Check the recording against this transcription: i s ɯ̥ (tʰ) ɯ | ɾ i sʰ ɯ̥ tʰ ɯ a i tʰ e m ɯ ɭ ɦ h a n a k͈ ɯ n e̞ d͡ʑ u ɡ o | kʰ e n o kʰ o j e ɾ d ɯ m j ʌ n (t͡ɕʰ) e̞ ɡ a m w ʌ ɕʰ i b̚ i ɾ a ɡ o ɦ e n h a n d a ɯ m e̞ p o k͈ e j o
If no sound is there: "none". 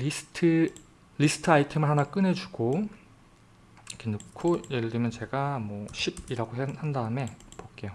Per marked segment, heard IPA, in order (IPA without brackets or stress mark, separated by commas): tʰ, t͡ɕ